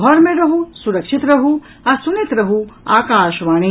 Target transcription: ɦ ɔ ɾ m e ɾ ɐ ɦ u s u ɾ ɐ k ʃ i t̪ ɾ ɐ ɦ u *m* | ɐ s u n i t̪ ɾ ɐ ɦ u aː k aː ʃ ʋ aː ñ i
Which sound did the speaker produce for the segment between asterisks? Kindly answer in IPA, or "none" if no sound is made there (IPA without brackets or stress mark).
none